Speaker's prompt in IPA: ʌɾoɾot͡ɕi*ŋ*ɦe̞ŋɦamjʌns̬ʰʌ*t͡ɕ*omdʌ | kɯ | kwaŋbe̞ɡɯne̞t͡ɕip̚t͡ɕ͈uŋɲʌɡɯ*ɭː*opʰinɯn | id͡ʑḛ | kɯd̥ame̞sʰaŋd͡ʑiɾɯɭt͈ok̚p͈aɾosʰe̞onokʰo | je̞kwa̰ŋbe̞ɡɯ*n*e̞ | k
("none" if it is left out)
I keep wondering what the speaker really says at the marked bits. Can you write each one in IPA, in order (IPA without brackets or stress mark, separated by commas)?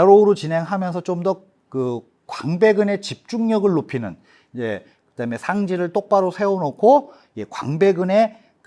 n, t͡ɕ, ɭː, n